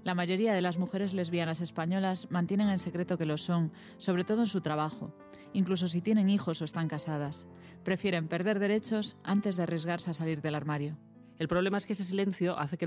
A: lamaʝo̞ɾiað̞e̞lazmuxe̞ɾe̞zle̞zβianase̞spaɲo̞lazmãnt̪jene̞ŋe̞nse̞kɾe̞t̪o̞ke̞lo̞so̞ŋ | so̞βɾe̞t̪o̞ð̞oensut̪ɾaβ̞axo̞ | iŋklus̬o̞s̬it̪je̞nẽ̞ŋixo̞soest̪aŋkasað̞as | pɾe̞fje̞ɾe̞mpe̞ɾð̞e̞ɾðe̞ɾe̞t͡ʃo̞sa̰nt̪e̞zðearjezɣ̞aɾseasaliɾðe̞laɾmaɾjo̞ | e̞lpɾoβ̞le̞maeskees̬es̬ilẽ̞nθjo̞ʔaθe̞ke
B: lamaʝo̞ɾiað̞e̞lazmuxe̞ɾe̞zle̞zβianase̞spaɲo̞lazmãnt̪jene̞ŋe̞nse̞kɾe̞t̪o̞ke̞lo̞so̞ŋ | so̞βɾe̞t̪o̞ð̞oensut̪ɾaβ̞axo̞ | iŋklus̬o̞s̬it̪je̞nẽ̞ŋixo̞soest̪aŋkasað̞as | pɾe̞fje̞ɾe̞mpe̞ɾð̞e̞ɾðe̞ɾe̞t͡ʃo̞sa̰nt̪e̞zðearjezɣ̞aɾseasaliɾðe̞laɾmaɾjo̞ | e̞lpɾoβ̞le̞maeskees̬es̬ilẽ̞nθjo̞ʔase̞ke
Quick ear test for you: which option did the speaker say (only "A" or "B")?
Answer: A